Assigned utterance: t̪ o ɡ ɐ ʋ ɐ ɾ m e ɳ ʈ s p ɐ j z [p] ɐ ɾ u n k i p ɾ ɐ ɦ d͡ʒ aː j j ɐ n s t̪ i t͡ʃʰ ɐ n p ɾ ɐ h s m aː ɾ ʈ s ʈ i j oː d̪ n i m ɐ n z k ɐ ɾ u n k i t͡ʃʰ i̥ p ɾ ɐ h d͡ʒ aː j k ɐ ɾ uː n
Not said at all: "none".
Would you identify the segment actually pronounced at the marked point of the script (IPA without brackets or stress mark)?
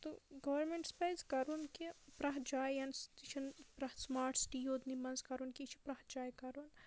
k